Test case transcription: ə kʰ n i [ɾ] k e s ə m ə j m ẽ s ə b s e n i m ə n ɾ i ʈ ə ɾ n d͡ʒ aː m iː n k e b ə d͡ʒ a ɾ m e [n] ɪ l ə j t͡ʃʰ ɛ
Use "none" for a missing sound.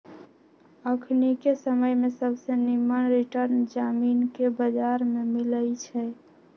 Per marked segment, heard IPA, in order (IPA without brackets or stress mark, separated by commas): none, m